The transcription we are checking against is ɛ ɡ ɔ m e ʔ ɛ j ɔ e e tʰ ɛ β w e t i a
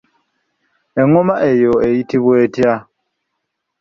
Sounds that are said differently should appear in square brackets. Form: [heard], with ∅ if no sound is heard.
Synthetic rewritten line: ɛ [ŋ] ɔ m [a] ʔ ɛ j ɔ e [i] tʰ [i] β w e t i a

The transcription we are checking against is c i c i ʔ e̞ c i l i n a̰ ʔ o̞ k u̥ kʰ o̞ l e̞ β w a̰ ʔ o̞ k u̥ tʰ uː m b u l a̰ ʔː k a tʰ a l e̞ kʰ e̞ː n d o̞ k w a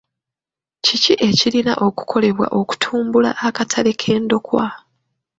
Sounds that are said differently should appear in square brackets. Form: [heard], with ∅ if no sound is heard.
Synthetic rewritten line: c i c i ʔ e̞ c i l i n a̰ ʔ o̞ k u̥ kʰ o̞ l e̞ β w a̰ ʔ o̞ k u̥ tʰ uː m b u l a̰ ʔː k a tʰ a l e̞ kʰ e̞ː n d o̞ k w a

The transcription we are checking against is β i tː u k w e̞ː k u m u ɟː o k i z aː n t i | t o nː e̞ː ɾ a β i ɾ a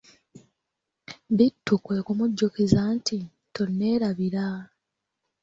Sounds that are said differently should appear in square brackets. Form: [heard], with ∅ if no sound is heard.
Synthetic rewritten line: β i tː u k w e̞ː k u m u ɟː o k i z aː n t i | t o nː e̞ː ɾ a β i ɾ a

